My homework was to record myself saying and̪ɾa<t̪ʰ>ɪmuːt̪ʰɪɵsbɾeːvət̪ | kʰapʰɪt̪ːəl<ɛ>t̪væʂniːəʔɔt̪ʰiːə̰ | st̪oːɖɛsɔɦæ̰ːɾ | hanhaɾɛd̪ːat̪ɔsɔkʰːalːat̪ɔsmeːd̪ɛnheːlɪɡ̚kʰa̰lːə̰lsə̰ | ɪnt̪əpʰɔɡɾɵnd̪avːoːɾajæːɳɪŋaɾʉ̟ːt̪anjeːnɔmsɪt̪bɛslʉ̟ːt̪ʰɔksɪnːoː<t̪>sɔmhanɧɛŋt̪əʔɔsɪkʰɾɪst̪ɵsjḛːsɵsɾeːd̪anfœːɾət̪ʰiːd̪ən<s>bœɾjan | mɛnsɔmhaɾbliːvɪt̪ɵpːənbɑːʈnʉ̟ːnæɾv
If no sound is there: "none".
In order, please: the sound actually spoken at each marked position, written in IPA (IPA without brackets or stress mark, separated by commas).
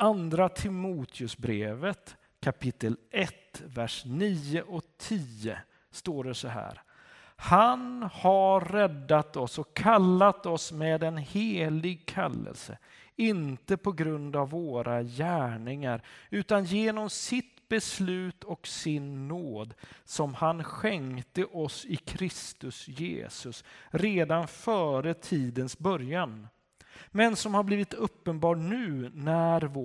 t̪ʰ, ɛ, d̪, s